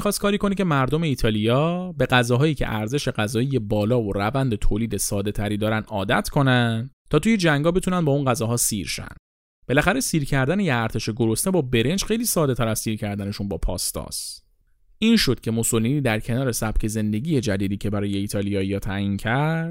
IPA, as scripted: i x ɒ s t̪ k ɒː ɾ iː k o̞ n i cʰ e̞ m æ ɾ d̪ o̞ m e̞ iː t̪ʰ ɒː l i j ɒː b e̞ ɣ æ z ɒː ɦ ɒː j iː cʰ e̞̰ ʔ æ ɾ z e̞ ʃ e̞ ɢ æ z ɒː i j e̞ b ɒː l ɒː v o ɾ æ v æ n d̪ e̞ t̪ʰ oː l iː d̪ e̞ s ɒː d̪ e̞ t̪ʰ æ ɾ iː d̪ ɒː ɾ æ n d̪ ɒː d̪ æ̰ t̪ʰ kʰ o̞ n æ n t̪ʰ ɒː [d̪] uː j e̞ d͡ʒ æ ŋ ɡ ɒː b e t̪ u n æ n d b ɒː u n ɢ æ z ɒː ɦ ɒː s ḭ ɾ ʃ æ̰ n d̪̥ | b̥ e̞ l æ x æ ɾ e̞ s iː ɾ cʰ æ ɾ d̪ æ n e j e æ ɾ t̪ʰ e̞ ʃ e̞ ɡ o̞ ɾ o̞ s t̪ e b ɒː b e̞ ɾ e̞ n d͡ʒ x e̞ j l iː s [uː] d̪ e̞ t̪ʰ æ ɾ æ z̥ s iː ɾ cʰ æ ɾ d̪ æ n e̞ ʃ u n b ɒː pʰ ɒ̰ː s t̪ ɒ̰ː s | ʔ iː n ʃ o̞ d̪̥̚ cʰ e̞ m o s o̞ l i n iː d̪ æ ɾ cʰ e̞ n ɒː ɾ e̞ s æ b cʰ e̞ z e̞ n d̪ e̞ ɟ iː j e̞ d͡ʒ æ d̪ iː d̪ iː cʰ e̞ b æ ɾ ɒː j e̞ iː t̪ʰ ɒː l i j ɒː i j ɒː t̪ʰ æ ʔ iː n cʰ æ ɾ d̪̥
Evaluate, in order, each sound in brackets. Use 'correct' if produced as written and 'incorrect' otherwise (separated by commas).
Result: incorrect, incorrect